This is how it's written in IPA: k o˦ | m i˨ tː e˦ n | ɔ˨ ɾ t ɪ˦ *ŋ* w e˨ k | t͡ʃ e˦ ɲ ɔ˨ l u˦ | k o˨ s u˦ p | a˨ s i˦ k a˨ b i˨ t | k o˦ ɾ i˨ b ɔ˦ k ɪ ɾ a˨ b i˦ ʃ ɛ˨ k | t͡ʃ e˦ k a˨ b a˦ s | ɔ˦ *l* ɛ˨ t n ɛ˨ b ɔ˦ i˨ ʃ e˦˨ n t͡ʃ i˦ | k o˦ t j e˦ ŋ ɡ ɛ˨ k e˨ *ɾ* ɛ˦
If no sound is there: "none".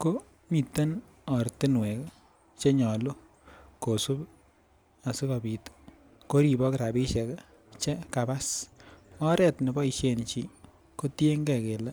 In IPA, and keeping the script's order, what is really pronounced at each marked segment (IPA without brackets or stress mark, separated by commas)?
n, ɾ, l